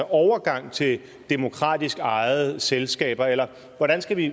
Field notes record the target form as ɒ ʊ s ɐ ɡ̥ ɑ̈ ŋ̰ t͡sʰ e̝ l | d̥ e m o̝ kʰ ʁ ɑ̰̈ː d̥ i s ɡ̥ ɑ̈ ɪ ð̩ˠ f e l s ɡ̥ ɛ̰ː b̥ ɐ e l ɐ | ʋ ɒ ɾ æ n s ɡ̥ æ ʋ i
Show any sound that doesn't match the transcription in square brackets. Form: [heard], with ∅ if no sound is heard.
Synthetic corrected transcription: ɒ ʊ [∅] ɐ ɡ̥ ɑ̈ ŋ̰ t͡sʰ e̝ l | d̥ e m o̝ kʰ ʁ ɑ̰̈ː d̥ i s ɡ̥ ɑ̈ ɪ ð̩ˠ [s] e l s ɡ̥ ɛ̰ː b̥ ɐ e l ɐ | ʋ ɒ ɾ æ n s ɡ̥ æ ʋ i